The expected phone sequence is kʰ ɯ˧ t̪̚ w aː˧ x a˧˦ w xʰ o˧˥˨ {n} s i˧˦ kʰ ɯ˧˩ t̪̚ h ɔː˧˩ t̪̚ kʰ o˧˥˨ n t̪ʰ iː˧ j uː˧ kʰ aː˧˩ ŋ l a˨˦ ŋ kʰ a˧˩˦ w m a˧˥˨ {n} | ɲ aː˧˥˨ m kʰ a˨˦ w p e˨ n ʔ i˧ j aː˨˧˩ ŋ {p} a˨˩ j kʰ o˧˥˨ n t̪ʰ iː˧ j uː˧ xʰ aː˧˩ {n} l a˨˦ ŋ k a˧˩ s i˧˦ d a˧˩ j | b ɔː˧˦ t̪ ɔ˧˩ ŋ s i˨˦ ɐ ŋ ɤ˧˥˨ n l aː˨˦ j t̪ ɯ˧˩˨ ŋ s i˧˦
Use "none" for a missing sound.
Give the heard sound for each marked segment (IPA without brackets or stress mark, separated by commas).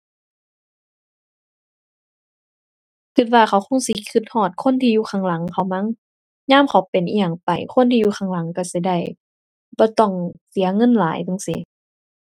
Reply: ŋ, ŋ, p, ŋ